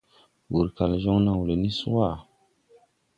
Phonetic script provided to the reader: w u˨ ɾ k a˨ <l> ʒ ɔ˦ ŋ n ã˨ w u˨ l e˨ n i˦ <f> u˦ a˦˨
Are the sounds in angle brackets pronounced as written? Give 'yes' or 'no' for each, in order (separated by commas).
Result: yes, no